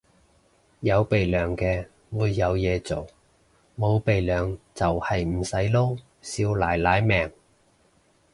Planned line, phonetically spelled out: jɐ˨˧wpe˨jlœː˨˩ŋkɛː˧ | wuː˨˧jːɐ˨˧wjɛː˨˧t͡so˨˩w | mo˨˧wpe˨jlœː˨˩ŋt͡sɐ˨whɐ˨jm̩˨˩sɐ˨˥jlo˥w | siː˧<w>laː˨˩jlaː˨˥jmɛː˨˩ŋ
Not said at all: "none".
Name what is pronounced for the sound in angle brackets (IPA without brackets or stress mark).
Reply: w